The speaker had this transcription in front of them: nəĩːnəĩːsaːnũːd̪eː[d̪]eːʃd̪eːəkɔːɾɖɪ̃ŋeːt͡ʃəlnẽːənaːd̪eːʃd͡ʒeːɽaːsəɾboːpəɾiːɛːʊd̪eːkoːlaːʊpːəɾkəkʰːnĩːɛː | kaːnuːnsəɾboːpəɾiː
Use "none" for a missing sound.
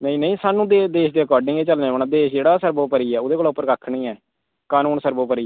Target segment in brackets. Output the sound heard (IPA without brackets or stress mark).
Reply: d̪